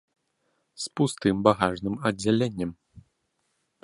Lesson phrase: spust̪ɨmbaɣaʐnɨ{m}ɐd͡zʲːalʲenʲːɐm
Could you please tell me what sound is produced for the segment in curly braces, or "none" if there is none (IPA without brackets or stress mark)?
m